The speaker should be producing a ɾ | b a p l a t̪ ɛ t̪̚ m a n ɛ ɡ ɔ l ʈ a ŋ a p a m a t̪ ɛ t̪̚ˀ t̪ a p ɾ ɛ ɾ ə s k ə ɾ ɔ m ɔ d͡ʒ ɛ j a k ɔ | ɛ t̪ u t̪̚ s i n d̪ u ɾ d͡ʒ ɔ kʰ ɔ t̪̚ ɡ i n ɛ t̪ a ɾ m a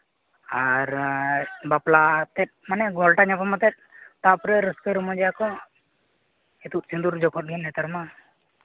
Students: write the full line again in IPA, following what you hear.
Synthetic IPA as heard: a ɾ | b a p l a t̪ ɛ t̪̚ m a n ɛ ɡ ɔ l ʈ a ɲ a p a m a t̪ ɛ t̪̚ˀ t̪ a p ɾ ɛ ɾ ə s k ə ɾ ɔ m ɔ d͡ʒ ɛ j a k ɔ | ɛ t̪ u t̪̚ s i n d̪ u ɾ d͡ʒ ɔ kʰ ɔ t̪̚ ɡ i n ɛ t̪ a ɾ m a